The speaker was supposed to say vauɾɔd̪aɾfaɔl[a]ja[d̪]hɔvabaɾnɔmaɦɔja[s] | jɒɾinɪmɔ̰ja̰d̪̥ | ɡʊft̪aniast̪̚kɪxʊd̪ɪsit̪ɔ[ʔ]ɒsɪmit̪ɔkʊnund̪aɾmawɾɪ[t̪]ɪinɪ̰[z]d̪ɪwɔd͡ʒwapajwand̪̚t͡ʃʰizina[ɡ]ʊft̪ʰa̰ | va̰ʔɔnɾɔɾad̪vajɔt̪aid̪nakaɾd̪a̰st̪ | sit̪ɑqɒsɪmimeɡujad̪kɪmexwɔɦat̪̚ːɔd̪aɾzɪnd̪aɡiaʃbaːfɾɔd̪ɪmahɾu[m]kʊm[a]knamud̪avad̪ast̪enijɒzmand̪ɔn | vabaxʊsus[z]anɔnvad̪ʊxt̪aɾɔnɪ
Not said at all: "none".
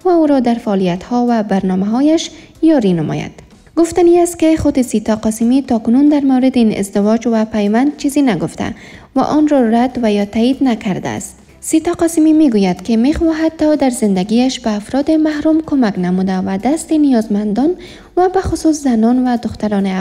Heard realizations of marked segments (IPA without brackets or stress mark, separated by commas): i, t̪, ʃ, q, d̪, z, ɡ, m, a, z